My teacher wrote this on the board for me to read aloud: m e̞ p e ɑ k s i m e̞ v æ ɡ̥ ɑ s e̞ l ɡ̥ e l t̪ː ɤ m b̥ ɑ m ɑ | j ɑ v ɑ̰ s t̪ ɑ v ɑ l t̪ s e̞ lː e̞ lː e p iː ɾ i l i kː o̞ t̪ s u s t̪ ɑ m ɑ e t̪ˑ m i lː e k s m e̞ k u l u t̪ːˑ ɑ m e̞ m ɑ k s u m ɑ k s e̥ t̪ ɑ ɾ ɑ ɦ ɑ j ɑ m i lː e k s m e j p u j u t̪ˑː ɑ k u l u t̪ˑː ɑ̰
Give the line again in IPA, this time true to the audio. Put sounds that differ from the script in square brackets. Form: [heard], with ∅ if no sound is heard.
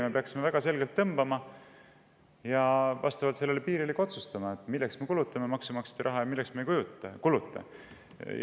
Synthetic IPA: m e̞ p e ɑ k s i m e̞ v æ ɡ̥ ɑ s e̞ l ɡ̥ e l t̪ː ɤ m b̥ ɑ m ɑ | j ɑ v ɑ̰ s t̪ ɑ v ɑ l t̪ s e̞ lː e̞ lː e p iː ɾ i l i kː o̞ t̪ s u s t̪ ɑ m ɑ e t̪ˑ m i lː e k s m e̞ k u l u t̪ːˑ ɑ m e̞ m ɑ k s u m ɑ k s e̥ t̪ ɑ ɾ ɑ ɦ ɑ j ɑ m i lː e k s m e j [k] u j u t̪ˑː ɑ k u l u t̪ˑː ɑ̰

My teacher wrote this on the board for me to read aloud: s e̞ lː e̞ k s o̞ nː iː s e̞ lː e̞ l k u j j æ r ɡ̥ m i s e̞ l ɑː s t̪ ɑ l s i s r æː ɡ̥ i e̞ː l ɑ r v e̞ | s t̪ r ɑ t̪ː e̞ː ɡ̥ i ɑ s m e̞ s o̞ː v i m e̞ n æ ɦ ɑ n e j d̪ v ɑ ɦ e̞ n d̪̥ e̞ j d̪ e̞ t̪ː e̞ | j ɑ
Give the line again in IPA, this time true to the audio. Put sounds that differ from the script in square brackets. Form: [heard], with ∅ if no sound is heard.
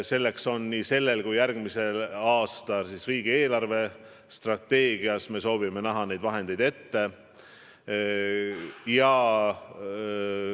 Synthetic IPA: s e̞ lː e̞ k s o̞ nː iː s e̞ lː e̞ l k u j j æ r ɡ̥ m i s e̞ l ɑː s t̪ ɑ l s i s r [iː] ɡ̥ i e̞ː l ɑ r v e̞ | s t̪ r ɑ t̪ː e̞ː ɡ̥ i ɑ s m e̞ s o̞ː v i m e̞ n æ ɦ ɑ n e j d̪ v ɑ ɦ e̞ n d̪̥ e̞ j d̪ e̞ t̪ː e̞ | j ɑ

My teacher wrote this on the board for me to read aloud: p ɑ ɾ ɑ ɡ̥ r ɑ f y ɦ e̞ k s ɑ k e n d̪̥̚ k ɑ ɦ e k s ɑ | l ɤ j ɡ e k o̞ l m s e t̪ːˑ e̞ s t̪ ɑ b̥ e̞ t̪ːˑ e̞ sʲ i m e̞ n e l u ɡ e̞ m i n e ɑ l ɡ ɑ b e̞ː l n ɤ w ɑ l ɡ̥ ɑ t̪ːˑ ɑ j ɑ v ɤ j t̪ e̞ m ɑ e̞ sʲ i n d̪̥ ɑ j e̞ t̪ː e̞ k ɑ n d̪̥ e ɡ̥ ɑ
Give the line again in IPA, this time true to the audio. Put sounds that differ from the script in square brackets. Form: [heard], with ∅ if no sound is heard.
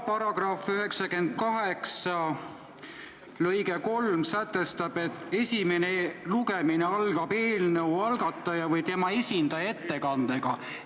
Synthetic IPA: p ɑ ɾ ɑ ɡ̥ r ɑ f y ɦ e̞ k s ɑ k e n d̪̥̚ k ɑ ɦ e k s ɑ | l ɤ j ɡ e k o̞ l m s [æ] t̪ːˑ e̞ s t̪ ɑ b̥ e̞ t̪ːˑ e̞ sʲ i m e̞ n e l u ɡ e̞ m i n e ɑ l ɡ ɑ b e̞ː l n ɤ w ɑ l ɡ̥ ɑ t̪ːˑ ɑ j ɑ v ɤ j t̪ e̞ m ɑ e̞ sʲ i n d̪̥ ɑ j e̞ t̪ː e̞ k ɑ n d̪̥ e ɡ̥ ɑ

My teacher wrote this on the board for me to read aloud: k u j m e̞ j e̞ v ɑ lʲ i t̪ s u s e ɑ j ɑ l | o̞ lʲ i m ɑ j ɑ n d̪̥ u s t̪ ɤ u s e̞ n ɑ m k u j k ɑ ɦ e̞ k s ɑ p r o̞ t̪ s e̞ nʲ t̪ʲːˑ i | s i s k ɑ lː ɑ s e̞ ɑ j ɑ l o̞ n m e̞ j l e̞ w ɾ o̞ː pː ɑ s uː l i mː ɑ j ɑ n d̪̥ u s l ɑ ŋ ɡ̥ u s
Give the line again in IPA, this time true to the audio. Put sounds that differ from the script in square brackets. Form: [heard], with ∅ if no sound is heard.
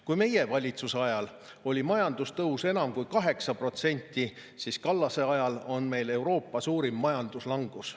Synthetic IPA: k u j m e̞ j e̞ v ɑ lʲ i t̪ s u s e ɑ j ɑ l | o̞ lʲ i m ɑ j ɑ n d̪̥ u s t̪ ɤ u s e̞ n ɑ m k u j k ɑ ɦ e̞ k s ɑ p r o̞ t̪ s e̞ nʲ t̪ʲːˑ i | s i s k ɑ lː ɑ s e̞ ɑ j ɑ l o̞ n m e̞ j l e̞ w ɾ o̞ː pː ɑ s uː [ɾ] i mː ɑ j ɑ n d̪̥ u s l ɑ ŋ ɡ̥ u s

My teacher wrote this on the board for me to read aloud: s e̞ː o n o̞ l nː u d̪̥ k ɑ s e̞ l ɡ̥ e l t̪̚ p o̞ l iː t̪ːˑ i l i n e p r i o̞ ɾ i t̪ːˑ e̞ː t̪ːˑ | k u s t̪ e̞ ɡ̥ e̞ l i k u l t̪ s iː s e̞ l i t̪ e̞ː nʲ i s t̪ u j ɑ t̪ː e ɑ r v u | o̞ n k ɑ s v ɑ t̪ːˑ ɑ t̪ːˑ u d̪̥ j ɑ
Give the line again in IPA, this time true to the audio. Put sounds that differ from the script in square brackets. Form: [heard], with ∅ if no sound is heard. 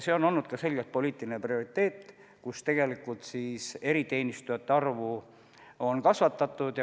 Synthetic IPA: s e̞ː o n o̞ l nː u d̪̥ k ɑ s e̞ l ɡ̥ e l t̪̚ p o̞ l iː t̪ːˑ i l i n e p r i o̞ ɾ i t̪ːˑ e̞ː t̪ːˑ | k u s t̪ e̞ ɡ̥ e̞ l i k u l t̪ s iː s e̞ [ɾ] i t̪ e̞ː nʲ i s t̪ u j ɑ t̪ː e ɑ r v u | o̞ n k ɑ s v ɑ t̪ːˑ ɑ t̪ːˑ u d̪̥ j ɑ

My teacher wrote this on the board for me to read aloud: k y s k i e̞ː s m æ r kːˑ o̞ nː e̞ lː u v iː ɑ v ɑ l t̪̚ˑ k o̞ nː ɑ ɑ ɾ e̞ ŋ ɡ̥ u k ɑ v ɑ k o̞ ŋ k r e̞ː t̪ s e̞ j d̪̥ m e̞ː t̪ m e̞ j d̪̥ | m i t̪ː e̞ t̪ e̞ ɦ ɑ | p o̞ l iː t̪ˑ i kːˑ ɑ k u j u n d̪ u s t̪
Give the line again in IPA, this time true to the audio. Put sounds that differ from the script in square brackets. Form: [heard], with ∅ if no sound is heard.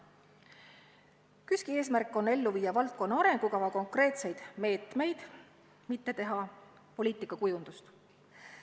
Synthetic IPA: k y s k i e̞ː s m æ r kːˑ o̞ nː e̞ lː u v iː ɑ v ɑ l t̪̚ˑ k o̞ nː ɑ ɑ ɾ e̞ ŋ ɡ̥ u k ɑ v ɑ k o̞ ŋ k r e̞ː t̪ s e̞ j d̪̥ m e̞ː t̪ m e̞ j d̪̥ | m i t̪ː e̞ t̪ e̞ ɦ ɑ | p o̞ l iː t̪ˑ i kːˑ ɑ k u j u n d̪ u s t̪

